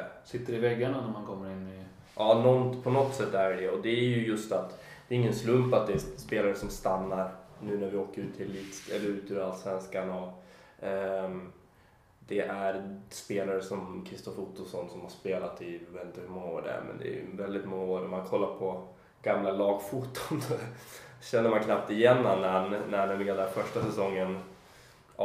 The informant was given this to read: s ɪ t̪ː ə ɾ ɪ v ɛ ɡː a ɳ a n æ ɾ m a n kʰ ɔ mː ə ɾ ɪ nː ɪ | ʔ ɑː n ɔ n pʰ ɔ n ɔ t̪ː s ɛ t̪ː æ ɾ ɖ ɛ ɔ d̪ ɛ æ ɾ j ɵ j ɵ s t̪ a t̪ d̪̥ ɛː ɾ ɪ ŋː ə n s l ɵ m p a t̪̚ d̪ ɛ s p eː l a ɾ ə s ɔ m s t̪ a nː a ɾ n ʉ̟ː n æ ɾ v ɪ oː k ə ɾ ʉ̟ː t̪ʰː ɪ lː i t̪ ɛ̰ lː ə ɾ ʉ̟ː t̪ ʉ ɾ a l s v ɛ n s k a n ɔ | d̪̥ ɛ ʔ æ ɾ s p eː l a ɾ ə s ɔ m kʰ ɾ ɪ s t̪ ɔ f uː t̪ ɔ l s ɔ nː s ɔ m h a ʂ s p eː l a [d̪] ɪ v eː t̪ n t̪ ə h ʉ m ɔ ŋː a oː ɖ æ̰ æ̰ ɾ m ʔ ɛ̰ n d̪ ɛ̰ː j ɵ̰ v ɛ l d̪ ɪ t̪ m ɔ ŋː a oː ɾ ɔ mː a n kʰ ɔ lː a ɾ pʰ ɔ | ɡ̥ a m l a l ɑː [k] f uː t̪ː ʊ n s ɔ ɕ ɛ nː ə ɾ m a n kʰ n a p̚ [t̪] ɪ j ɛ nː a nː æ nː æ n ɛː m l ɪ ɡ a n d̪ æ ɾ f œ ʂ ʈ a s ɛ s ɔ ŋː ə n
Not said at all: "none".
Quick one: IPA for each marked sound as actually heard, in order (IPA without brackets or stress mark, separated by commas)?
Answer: t̪, ɡ, t̪